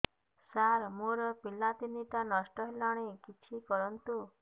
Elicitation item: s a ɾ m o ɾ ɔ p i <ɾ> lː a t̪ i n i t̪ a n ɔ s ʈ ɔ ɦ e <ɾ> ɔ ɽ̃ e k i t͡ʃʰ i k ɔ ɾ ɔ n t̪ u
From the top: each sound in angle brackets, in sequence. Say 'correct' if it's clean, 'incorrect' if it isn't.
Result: incorrect: none, incorrect: l

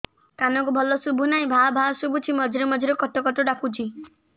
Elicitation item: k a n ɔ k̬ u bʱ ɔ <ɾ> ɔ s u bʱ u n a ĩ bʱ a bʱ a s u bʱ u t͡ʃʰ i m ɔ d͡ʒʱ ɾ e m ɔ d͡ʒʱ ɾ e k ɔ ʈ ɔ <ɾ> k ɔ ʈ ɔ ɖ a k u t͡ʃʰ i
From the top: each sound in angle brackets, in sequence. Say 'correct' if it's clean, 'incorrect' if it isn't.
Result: incorrect: l, incorrect: none

